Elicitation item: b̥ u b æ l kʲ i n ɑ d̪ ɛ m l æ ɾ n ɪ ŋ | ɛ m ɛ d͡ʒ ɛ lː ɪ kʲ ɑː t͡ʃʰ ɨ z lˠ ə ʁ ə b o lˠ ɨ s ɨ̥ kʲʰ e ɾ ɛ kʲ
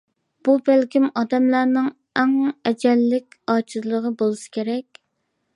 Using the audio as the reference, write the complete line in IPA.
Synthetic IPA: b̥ u b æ l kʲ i m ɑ d̪ ɛ m l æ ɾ n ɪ ŋ | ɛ ŋ ɛ d͡ʒ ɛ lː ɪ kʲ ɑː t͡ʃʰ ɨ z lˠ ə ʁ ə b o lˠ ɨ s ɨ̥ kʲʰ e ɾ ɛ kʲ